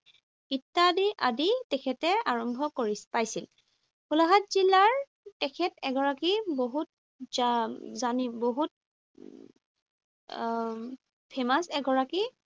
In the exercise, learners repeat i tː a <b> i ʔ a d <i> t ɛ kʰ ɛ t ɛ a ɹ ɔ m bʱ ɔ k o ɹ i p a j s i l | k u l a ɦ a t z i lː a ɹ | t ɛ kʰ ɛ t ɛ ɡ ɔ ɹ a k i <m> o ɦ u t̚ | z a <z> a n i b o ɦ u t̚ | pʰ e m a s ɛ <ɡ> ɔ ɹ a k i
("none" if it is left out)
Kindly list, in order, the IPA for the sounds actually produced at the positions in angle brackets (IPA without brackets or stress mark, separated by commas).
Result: d, i, b, z, ɡ